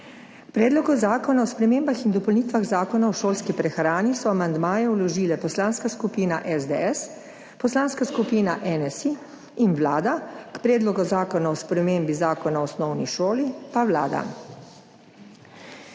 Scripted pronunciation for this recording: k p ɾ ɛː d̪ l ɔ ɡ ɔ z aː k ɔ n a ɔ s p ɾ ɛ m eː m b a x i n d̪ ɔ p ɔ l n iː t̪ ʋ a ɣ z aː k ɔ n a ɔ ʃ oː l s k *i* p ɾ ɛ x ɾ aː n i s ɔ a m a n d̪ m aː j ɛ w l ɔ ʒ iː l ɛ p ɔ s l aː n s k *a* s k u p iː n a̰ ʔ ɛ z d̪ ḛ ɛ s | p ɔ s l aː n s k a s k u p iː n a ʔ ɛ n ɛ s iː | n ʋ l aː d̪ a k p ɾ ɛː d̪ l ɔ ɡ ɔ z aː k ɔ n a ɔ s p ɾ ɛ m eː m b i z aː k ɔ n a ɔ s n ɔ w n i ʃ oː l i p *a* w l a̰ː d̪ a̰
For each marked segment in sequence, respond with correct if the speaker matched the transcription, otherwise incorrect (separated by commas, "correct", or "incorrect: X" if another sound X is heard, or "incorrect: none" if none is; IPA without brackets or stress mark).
correct, correct, correct